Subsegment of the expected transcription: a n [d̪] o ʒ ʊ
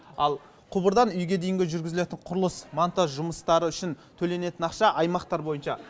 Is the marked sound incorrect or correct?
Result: incorrect